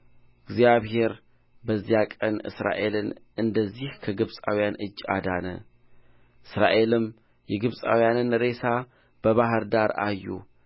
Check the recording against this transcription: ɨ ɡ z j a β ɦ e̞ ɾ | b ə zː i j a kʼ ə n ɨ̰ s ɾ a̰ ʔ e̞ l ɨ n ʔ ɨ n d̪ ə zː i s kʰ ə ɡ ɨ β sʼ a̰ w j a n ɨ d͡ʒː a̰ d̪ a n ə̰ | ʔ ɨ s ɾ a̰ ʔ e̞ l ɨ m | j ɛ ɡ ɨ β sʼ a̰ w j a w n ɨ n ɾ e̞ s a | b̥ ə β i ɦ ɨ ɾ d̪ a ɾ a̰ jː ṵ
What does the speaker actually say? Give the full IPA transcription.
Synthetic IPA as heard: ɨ ɡ z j a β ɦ e̞ ɾ | b ə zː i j a kʼ ə n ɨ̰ s ɾ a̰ ʔ e̞ l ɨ n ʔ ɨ n d̪ ə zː i h kʰ ə ɡ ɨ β sʼ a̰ w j a n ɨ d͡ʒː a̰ d̪ a n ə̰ | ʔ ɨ s ɾ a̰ ʔ e̞ l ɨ m | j ɛ ɡ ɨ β sʼ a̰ w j a n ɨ n ɾ e̞ s a | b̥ ə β a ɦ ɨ ɾ d̪ a ɾ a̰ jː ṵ